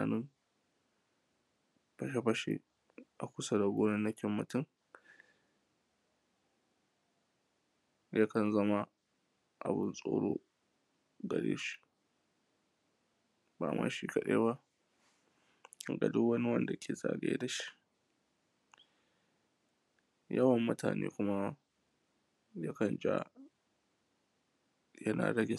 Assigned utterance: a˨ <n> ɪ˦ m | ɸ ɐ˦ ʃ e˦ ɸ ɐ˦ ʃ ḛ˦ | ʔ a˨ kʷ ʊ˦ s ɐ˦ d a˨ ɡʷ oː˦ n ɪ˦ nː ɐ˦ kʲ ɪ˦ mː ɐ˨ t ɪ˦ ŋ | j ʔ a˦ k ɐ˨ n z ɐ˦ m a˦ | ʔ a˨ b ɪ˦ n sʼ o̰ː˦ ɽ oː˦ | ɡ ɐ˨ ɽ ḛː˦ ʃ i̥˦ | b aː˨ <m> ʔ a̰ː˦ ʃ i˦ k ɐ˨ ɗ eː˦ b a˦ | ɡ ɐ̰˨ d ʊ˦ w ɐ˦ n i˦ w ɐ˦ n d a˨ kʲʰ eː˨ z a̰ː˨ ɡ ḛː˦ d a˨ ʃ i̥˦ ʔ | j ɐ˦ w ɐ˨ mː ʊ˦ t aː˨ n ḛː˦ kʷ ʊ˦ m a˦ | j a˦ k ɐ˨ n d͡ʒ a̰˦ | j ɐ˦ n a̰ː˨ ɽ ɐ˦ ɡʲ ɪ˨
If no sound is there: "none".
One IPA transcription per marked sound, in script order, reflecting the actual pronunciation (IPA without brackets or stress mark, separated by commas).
n, m